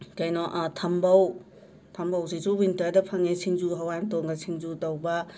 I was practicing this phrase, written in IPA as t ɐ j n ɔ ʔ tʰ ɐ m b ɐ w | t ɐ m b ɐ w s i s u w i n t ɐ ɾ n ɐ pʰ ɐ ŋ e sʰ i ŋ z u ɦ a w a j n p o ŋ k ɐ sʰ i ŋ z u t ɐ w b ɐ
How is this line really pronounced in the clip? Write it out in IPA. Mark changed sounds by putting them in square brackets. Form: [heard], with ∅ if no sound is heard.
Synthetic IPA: [k] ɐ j n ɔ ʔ tʰ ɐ m b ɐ w | [tʰ] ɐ m b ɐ w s i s u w i n t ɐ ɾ [d] ɐ pʰ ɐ ŋ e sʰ i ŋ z u ɦ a w a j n [t] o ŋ [ɡ] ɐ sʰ i ŋ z u t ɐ w b ɐ